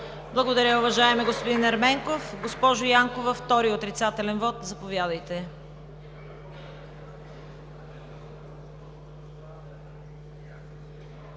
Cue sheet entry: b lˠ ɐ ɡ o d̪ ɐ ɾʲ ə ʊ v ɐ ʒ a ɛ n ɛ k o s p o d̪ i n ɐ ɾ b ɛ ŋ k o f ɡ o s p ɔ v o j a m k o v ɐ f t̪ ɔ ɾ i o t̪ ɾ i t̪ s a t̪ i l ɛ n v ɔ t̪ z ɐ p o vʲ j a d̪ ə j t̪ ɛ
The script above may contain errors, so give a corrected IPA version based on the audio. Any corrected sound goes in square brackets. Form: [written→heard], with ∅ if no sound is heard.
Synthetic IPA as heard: b lˠ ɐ ɡ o d̪ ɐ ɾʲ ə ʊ v ɐ ʒ a ɛ [n→m] ɛ [k→ɡ] o s p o d̪ i n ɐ ɾ [b→m] ɛ ŋ k o f ɡ o s p ɔ [v→ʒ] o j a [m→ŋ] k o v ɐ f t̪ ɔ ɾ i o t̪ ɾ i t̪ s a t̪ [i→ɛ] l ɛ n v ɔ t̪ z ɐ p o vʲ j a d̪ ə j t̪ ɛ